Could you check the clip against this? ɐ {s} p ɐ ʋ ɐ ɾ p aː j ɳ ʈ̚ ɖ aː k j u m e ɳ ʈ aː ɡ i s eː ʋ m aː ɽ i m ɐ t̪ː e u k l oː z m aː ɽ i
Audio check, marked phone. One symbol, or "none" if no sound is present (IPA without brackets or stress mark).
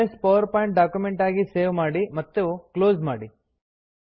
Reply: s